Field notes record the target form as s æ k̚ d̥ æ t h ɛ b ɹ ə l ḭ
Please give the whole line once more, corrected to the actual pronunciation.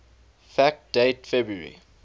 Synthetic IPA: f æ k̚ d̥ e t f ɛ b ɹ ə ɹ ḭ